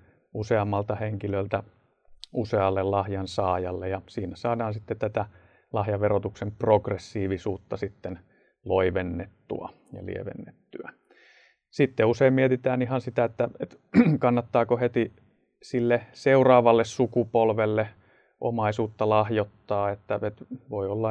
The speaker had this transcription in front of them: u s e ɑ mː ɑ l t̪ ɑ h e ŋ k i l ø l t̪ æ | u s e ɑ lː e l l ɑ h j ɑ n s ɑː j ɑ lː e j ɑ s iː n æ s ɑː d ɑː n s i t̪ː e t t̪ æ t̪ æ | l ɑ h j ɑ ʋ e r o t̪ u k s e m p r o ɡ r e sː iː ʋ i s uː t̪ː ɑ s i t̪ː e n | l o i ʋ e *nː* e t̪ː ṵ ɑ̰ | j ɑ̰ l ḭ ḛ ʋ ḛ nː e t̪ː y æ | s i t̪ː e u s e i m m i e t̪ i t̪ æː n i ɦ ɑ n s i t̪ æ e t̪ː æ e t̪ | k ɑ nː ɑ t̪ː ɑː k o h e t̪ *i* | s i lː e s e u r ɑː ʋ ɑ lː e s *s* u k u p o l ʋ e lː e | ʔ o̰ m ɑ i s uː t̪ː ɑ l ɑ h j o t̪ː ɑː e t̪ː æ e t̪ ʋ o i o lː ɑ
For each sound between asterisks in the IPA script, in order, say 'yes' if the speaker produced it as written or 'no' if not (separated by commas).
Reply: yes, yes, yes